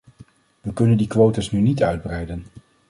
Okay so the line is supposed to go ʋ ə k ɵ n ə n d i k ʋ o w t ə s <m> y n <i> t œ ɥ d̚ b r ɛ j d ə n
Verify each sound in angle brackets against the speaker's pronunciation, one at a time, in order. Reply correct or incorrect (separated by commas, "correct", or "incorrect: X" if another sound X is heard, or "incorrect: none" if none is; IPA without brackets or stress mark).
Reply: incorrect: n, correct